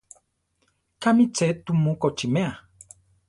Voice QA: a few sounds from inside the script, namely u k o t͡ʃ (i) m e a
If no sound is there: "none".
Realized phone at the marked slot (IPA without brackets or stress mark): i